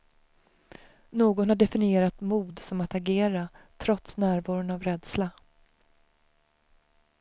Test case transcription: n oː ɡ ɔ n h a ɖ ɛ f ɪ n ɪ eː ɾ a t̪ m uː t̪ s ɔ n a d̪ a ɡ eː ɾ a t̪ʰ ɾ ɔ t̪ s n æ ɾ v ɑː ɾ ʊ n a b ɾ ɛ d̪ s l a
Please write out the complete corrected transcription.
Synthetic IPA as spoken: n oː ɡ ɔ n h a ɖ ɛ f ɪ n ɪ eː ɾ a t̪ m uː d̪ s ɔ m a t̪ a ɡ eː ɾ a t̪ʰ ɾ ɔ t̪ s n æː ɾ v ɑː ɾ ʊ n a v ɾ ɛ d̪ s l a